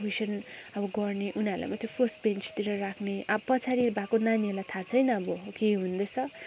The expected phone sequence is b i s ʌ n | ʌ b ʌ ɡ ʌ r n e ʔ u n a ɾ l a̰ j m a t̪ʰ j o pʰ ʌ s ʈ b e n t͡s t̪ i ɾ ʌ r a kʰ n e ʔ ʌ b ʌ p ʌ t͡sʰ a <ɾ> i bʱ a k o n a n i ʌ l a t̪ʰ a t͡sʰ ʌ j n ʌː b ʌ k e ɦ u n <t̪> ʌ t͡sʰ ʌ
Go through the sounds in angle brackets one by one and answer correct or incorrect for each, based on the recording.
correct, incorrect

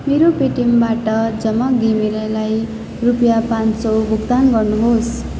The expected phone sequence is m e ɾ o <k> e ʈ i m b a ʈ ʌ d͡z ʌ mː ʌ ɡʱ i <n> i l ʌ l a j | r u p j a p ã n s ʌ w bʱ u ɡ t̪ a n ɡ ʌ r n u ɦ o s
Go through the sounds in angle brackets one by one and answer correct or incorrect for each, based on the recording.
incorrect, incorrect

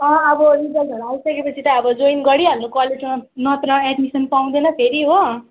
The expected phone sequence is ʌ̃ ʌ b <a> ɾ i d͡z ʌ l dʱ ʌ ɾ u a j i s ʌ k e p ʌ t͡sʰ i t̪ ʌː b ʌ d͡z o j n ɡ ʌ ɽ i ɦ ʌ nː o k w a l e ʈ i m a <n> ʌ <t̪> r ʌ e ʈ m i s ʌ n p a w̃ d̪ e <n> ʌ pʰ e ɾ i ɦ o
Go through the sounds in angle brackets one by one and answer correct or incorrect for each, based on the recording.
incorrect, correct, correct, correct

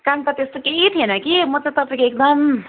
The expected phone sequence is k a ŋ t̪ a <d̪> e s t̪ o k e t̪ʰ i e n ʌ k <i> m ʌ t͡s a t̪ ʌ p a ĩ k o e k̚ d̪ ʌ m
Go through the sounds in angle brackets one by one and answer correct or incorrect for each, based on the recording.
incorrect, correct

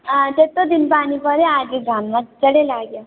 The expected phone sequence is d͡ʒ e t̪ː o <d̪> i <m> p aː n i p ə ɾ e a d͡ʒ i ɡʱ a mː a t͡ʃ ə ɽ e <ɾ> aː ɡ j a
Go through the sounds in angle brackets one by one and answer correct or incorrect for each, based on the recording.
correct, incorrect, incorrect

